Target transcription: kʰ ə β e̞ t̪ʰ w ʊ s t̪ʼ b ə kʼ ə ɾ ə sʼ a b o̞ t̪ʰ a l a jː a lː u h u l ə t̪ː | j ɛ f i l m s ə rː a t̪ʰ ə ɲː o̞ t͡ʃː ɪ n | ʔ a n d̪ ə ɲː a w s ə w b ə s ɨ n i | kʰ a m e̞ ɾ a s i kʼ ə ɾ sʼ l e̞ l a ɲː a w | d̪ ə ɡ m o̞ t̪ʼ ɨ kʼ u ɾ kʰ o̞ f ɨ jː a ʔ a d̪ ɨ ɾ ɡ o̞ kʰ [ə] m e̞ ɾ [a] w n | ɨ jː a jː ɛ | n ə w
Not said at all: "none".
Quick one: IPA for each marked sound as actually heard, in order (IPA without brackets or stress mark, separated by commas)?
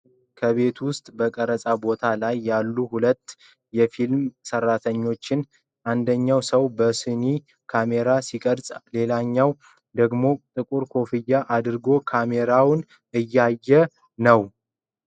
a, a